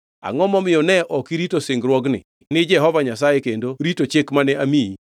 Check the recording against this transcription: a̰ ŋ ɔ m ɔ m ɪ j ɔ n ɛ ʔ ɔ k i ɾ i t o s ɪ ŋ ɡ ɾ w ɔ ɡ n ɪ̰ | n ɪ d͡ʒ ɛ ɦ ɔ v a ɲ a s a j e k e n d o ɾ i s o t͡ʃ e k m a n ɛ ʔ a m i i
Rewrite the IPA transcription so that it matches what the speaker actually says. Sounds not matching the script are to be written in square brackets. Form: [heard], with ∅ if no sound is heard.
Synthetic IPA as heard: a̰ ŋ ɔ m ɔ m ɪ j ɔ n ɛ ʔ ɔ k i ɾ i t o s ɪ ŋ ɡ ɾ w ɔ ɡ n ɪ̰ | n ɪ d͡ʒ ɛ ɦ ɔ v a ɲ a s a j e k e n d o ɾ i [t] o t͡ʃ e k m a n ɛ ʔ a m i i